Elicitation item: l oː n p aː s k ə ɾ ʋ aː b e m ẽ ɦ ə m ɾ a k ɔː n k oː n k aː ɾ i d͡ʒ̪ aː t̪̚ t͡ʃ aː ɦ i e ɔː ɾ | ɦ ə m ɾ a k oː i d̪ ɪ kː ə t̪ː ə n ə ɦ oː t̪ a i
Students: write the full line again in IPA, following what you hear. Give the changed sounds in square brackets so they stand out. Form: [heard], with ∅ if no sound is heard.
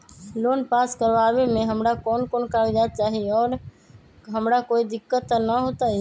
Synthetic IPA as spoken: l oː n p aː s k ə ɾ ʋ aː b e m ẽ ɦ ə m ɾ a k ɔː n k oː n k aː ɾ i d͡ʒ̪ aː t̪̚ t͡ʃ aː ɦ i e ɔː ɾ | ɦ ə m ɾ a k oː i d̪ ɪ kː ə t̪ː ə n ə ɦ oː t̪ a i